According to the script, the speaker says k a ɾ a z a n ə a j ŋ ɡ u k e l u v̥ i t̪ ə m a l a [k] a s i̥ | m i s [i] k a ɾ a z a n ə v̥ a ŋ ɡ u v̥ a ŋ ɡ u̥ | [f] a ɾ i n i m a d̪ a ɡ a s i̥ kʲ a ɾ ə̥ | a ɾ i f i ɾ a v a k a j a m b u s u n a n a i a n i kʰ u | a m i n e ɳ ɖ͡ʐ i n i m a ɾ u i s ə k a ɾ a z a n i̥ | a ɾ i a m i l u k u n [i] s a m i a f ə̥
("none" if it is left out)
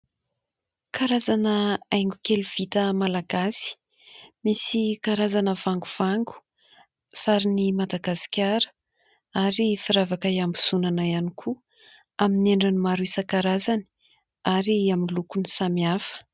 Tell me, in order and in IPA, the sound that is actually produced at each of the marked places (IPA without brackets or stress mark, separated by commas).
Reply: ɡ, i, s, i